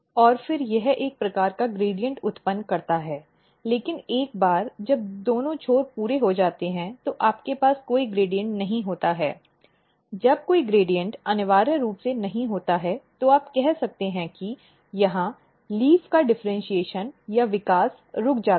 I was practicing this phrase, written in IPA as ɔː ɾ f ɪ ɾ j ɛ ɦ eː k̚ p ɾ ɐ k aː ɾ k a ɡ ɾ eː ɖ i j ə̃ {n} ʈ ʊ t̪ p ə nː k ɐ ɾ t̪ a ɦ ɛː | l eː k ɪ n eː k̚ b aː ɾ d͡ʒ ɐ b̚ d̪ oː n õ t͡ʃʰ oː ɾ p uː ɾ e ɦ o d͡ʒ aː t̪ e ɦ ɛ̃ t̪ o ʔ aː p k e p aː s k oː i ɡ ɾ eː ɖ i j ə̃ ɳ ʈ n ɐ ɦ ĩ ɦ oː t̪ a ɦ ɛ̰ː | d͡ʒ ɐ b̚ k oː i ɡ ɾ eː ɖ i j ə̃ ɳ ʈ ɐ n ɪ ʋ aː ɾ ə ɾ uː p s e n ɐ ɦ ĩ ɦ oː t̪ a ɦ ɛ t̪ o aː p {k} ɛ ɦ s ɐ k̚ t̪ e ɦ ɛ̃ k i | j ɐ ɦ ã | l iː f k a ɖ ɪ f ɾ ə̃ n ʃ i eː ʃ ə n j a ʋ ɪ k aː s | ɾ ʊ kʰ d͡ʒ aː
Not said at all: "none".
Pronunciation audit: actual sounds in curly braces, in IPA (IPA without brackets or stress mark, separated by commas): ɳ, k